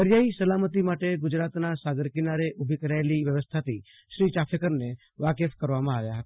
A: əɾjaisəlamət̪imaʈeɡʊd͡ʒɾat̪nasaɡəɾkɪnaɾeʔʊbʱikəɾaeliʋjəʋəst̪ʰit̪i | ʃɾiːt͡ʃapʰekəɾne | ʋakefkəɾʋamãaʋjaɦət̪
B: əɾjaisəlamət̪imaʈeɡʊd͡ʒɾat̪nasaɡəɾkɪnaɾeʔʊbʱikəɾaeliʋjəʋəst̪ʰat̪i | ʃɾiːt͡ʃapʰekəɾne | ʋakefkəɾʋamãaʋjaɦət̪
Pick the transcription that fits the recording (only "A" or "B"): B